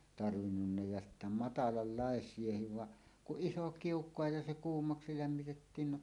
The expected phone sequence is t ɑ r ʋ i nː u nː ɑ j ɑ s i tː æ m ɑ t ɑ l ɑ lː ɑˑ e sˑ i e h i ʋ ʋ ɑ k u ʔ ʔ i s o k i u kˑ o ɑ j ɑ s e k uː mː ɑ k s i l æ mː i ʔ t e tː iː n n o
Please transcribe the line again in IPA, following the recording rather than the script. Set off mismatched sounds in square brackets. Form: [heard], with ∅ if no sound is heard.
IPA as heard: t ɑ r ʋ i nː u nː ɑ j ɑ s i tː æ m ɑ t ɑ l ɑ lː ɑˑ e sˑ i e h i ʋ ʋ ɑ k u ʔ ʔ i s o k i u kˑ o ɑ j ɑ s e k uː mː ɑ k s i l æ mː i [∅] t e tː iː n n o